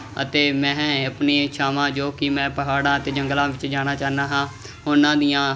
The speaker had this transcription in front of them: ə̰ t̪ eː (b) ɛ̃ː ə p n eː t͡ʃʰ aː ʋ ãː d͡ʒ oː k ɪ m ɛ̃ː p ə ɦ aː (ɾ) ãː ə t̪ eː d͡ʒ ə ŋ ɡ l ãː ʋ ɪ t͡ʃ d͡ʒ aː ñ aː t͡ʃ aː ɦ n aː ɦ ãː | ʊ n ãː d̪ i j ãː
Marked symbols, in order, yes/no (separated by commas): no, no